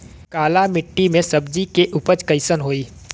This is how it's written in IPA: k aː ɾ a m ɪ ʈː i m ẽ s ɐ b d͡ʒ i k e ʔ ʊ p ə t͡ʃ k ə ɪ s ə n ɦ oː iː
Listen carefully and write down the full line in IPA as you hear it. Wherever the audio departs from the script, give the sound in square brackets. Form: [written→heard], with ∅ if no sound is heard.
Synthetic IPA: k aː [ɾ→l] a m ɪ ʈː i m ẽ s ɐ b d͡ʒ i k e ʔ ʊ p ə t͡ʃ k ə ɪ s ə n ɦ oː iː